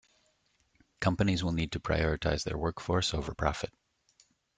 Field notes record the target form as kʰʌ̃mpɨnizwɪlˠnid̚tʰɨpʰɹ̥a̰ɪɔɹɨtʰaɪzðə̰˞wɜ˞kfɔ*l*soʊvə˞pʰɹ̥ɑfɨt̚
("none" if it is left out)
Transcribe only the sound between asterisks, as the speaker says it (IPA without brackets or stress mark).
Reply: ɹ